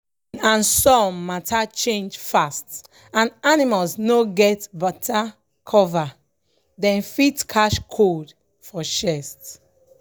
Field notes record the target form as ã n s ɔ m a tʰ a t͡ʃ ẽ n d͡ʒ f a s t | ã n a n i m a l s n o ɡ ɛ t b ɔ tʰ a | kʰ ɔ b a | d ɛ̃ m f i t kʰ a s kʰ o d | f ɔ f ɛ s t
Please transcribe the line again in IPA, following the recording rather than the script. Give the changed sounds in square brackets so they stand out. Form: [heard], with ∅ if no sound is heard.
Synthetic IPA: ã n s ɔ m a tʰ a t͡ʃ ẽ n d͡ʒ f a s t | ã n a n i m a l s n o ɡ ɛ t b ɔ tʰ a | kʰ ɔ [v] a | d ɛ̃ [n] f i t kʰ a [ʃ] kʰ o d | f ɔ [ʃ] ɛ s t